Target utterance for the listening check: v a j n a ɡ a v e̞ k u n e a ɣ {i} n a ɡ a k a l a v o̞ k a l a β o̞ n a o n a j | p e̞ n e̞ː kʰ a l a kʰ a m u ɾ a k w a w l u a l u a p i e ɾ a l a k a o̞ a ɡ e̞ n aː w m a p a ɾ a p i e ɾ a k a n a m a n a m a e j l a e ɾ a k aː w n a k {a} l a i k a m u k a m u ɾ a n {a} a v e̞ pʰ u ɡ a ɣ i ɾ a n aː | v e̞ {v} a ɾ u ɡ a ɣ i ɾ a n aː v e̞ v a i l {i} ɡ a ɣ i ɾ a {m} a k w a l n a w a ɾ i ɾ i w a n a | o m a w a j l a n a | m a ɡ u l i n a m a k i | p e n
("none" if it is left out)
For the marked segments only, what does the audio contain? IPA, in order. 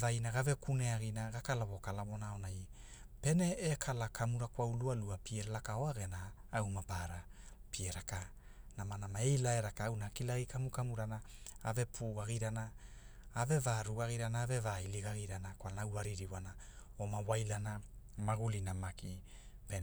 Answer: i, i, a, v, i, n

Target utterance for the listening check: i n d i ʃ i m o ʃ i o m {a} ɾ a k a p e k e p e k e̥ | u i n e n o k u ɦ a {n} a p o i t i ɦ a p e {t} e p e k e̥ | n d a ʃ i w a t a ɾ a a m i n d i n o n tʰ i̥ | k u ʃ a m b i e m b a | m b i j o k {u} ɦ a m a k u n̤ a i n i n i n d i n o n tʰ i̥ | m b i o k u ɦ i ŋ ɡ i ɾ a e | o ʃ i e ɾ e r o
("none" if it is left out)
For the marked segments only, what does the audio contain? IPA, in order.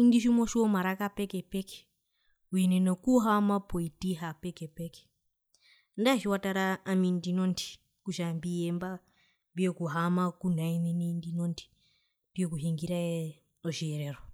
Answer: a, m, k, u

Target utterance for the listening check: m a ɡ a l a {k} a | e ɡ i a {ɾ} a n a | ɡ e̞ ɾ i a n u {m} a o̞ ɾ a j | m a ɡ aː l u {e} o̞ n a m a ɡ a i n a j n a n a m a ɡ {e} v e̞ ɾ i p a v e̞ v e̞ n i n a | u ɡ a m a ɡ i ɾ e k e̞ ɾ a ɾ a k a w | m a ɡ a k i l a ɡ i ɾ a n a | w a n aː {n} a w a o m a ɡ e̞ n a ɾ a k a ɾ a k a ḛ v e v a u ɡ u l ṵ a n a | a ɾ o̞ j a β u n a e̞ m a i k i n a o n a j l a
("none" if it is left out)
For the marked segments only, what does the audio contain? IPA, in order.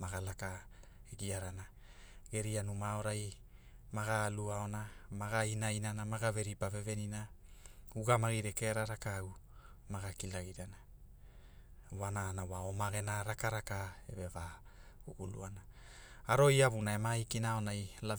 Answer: k, ɾ, m, a, a, n

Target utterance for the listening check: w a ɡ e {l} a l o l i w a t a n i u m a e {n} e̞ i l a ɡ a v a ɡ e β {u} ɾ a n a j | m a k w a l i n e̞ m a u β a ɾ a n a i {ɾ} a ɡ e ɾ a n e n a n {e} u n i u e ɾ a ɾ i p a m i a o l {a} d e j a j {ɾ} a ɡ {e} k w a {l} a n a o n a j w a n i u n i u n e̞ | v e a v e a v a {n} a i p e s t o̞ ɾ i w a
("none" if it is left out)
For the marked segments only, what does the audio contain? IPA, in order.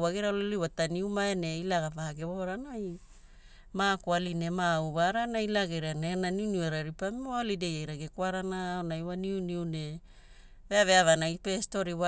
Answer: ɾ, n, o, l, i, i, ɾ, e, ɾ, n

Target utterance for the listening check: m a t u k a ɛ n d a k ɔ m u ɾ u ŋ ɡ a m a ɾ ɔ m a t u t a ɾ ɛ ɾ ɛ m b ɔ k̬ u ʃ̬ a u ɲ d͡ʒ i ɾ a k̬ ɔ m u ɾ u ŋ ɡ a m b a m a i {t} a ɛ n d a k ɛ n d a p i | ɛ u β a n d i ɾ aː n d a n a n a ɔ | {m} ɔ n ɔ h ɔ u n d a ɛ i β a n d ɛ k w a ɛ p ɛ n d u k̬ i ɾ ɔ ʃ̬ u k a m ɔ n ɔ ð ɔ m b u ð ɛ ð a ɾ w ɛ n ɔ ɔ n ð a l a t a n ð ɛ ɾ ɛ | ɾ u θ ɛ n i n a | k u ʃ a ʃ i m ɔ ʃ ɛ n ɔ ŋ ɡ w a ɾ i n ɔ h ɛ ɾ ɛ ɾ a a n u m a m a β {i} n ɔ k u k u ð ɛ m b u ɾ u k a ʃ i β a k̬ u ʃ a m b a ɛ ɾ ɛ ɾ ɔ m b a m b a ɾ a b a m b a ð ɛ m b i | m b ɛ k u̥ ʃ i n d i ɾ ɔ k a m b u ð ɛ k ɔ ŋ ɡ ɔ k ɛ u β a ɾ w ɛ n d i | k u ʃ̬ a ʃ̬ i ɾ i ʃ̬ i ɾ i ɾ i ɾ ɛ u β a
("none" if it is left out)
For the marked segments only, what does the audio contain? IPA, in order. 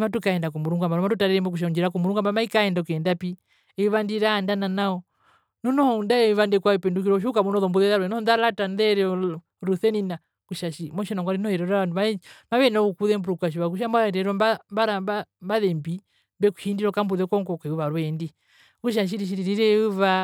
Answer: k, n, ɛ

